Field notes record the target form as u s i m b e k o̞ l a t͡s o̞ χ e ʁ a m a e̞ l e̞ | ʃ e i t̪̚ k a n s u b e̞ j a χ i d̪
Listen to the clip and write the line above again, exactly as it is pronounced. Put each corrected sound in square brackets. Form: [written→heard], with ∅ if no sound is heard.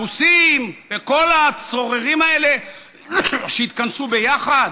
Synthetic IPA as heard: u s i m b e k o̞ l a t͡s o̞ [χ→ʁ] e ʁ [a→i] m a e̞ l e̞ | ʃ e i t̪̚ k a n s u b e̞ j a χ [i→a] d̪